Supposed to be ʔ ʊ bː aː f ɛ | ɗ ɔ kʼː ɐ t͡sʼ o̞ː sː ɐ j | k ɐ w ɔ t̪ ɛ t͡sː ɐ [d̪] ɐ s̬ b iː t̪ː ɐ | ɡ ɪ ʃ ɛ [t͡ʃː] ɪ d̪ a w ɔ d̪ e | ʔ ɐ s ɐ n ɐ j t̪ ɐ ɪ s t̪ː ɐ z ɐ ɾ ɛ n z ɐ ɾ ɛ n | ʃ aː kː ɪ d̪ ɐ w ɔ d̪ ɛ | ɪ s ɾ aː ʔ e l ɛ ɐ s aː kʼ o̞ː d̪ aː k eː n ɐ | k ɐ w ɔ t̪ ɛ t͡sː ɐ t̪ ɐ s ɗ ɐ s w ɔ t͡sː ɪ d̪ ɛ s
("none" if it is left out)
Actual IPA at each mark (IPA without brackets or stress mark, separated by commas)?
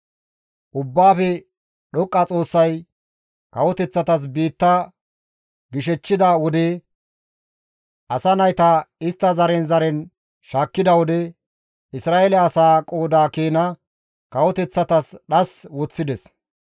t̪, t͡ʃː